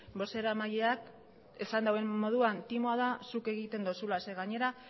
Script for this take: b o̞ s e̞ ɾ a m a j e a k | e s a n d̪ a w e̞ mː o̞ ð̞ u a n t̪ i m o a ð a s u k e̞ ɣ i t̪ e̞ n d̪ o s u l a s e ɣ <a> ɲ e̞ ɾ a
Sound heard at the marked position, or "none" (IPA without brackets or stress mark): a